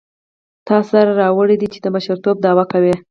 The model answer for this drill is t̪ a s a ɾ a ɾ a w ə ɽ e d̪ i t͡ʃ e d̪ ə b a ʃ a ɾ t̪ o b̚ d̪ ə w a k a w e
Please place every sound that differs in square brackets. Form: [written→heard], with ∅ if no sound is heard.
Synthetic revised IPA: t̪ [a→ɑ] s a ɾ a ɾ [a→ɑ] w ə ɽ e d̪ i t͡ʃ e d̪ ə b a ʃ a ɾ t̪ o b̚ d̪ [ə→ɑ] w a k a w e